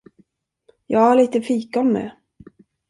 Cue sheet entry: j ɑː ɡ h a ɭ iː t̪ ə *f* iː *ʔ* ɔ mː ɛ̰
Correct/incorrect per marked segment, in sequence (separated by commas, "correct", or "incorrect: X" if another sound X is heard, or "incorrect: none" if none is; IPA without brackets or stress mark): correct, incorrect: k